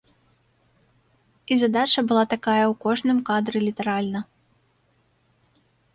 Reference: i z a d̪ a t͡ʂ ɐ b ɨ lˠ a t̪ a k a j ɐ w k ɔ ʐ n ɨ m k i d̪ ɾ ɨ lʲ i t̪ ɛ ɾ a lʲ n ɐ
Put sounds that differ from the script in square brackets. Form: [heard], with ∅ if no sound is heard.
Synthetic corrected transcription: i z a d̪ a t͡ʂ ɐ b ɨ lˠ a t̪ a k a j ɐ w k ɔ ʐ n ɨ m k [a] d̪ ɾ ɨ lʲ i t̪ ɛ ɾ a lʲ n ɐ